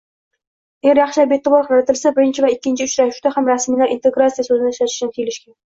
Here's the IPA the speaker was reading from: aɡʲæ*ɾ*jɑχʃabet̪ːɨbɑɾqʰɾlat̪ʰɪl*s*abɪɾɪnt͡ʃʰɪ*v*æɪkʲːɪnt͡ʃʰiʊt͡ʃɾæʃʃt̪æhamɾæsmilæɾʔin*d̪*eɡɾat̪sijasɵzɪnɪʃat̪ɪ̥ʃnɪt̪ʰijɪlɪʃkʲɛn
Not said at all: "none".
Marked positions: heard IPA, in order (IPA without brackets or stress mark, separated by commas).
ɾ, s, v, t̪